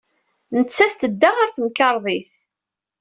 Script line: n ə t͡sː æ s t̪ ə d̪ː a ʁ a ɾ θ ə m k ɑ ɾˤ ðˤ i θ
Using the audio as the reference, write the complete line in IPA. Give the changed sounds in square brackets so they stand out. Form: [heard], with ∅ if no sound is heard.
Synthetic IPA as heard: n ə t͡sː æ [θ] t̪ ə d̪ː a ʁ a ɾ θ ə m k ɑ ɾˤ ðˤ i θ